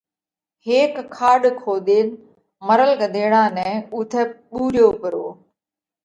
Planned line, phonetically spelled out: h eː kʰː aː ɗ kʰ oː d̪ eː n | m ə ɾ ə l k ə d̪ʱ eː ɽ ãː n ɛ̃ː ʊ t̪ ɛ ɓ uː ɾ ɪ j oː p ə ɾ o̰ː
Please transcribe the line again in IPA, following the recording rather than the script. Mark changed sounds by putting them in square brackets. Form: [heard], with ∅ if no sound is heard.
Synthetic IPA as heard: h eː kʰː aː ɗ kʰ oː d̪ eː n | m ə ɾ ə l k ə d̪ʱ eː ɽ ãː n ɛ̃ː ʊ [t̪ʰ] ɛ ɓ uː ɾ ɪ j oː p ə ɾ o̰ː